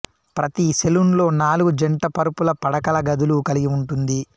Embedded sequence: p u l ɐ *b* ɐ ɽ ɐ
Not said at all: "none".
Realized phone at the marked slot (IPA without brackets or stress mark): p